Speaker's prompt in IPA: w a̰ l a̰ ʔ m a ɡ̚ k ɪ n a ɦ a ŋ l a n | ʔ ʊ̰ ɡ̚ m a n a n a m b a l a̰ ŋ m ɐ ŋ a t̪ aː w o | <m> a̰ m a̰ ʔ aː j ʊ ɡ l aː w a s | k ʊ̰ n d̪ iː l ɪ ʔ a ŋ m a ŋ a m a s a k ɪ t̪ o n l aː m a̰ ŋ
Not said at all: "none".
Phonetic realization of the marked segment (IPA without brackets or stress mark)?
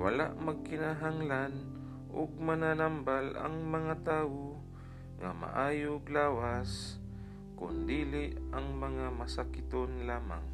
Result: ŋ